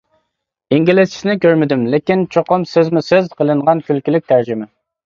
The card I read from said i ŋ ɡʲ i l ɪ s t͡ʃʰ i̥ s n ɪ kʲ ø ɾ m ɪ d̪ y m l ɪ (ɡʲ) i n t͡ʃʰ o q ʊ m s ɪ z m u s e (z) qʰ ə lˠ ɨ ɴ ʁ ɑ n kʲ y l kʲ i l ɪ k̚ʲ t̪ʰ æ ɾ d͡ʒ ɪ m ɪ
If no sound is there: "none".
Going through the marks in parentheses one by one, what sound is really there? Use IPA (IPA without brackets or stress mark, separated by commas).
kʲ, z